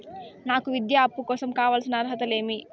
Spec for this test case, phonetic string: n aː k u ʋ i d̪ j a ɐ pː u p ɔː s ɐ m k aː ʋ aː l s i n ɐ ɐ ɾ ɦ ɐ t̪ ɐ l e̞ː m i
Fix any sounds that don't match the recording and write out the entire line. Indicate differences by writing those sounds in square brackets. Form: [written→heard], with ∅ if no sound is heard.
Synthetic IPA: n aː k u ʋ i d̪ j a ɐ pː u [p→k] ɔː s ɐ m k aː ʋ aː l s i n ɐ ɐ ɾ ɦ ɐ t̪ ɐ l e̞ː m i

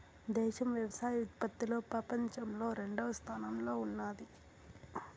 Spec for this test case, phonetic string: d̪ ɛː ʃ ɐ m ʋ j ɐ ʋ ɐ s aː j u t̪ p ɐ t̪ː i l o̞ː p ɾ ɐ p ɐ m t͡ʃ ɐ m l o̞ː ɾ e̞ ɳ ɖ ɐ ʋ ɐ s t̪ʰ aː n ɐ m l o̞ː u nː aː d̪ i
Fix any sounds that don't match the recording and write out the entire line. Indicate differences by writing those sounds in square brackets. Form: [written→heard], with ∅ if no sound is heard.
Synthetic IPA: d̪ ɛː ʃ ɐ m ʋ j ɐ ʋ ɐ s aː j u t̪ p ɐ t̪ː i l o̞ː p ɾ ɐ p ɐ [m→ɲ] t͡ʃ ɐ m l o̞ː ɾ e̞ ɳ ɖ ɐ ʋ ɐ s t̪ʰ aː n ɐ m l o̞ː u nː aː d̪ i

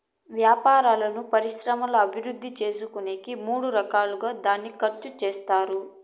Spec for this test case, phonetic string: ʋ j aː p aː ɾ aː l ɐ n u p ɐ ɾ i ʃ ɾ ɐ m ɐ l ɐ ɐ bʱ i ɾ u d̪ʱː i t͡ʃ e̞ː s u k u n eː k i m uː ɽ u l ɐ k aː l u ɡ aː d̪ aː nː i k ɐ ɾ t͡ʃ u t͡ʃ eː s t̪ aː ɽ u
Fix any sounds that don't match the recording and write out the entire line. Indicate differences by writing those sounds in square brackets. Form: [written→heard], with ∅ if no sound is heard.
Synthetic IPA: ʋ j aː p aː ɾ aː l ɐ n u p ɐ ɾ i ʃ ɾ ɐ m ɐ l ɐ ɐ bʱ i ɾ u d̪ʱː i t͡ʃ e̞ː s u k u n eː k i m uː ɽ u [l→ɾ] ɐ k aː l u ɡ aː d̪ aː nː i k ɐ ɾ t͡ʃ u t͡ʃ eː s t̪ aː [ɽ→ɾ] u

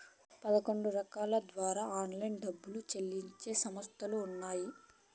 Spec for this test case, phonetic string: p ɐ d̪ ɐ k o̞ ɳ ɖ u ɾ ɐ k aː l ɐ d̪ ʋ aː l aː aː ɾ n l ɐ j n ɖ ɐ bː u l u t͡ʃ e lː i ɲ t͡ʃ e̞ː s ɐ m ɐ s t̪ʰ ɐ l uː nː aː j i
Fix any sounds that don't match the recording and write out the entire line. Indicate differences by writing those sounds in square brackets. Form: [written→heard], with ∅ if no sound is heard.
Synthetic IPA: p ɐ d̪ ɐ k o̞ ɳ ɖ u ɾ ɐ k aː l ɐ d̪ ʋ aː [l→ɾ] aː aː [ɾ→∅] n l ɐ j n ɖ ɐ bː u l u t͡ʃ e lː i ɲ t͡ʃ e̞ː s ɐ m ɐ s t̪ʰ ɐ l uː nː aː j i

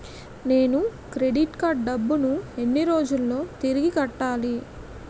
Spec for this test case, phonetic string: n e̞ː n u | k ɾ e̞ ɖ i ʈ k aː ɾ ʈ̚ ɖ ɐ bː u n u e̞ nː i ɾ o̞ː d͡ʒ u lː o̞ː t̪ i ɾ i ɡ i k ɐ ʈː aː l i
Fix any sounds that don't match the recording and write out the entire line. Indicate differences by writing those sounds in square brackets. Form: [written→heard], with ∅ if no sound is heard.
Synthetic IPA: n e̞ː n u | k ɾ e̞ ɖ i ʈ k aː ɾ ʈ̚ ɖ ɐ bː u n u e̞ nː i ɾ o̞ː d͡ʒ u lː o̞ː t̪ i ɾ i ɡ i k ɐ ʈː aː l i

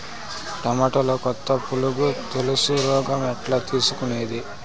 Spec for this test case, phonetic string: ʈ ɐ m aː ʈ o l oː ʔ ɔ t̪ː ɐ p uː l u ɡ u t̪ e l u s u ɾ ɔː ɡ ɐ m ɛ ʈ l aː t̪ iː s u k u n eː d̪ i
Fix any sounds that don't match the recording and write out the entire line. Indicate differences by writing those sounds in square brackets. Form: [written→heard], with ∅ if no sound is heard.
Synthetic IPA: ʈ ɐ m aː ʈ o l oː [ʔ→k] ɔ t̪ː ɐ p [uː→u] l u ɡ u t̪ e l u s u ɾ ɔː ɡ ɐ m ɛ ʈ l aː t̪ iː s u k u n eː d̪ i

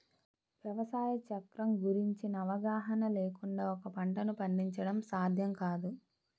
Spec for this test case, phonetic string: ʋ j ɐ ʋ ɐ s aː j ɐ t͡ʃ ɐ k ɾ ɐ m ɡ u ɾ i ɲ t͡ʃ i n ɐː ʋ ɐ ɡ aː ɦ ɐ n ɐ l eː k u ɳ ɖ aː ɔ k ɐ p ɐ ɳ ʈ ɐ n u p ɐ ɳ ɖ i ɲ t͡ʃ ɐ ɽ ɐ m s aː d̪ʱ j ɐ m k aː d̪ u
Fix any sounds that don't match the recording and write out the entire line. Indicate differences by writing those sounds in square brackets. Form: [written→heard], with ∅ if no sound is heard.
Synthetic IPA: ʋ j ɐ ʋ ɐ s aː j ɐ t͡ʃ ɐ k ɾ ɐ m ɡ u ɾ i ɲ t͡ʃ i n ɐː ʋ ɐ ɡ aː ɦ ɐ n ɐ l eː k u ɳ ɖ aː ɔ k ɐ p ɐ ɳ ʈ ɐ n u p ɐ ɳ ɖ i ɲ t͡ʃ ɐ ɽ ɐ m s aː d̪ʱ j ɐ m k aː d̪ u

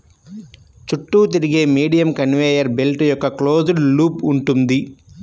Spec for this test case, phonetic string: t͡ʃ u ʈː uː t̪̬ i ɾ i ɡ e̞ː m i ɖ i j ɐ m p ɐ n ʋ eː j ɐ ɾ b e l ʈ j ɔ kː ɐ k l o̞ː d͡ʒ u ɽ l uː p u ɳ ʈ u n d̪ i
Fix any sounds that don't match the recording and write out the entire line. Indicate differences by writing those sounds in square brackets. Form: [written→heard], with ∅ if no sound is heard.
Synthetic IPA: t͡ʃ u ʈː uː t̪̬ i ɾ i ɡ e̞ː m [i→iː] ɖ i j ɐ m [p→k] ɐ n ʋ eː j ɐ ɾ b e l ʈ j ɔ kː ɐ k l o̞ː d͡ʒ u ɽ l uː p u ɳ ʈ u n d̪ i

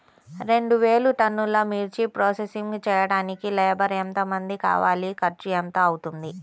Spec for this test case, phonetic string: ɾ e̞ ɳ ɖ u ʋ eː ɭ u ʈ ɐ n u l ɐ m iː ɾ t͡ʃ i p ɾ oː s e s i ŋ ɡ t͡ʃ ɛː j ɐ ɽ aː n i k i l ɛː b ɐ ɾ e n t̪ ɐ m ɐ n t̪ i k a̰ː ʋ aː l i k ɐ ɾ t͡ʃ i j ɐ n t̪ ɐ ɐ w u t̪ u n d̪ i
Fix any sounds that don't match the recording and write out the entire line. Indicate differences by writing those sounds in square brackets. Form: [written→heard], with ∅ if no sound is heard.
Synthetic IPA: ɾ e̞ ɳ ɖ u ʋ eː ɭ u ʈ ɐ [n→nː] u l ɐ m iː ɾ t͡ʃ i p ɾ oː s e s i ŋ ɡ t͡ʃ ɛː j ɐ ɽ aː n i k i l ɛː b ɐ ɾ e n t̪ ɐ m ɐ n [t̪→d̪] i k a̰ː ʋ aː l i k ɐ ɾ t͡ʃ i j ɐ n t̪ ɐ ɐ w u t̪ u n d̪ i

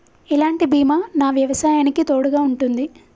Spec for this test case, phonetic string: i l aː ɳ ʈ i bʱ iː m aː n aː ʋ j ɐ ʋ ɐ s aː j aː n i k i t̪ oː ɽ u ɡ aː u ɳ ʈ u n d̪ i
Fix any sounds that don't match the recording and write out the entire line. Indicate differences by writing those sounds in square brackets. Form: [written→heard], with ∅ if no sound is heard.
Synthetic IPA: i l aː ɳ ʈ i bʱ iː m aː n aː ʋ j ɐ ʋ ɐ s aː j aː n i k i t̪ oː ɽ u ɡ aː u ɳ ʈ u n d̪ i

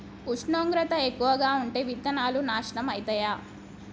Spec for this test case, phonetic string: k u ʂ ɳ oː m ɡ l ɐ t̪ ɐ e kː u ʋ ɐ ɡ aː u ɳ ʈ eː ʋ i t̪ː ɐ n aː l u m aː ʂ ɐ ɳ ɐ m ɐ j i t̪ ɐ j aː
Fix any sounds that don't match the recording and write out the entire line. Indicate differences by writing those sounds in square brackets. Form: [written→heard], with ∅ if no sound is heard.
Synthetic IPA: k u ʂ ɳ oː [m→ŋ] ɡ [l→ɾ] ɐ t̪ ɐ e kː u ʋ ɐ ɡ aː u ɳ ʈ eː ʋ i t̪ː ɐ n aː l u [m→n] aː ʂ ɐ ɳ ɐ m ɐ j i t̪ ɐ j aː

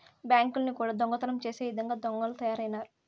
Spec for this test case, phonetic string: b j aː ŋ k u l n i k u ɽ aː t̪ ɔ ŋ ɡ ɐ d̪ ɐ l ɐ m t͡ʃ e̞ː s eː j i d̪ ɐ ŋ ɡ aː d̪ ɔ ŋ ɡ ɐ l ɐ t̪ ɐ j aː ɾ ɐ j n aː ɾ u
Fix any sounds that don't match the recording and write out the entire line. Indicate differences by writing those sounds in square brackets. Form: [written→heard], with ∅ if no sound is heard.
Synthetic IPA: b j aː ŋ k u l n i k [u→uː] ɽ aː [t̪→d̪] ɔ ŋ ɡ ɐ [d̪→t̪] ɐ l ɐ m t͡ʃ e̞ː s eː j i d̪ ɐ ŋ ɡ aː d̪ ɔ ŋ ɡ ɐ l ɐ t̪ ɐ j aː ɾ ɐ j n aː ɾ u

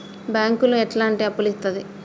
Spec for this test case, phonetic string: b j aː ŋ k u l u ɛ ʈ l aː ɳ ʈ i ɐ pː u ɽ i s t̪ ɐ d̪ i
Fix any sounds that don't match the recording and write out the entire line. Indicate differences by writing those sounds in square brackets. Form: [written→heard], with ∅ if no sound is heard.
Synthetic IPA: b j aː ŋ k u l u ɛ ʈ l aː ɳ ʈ i ɐ pː u [ɽ→l] i s t̪ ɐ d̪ i

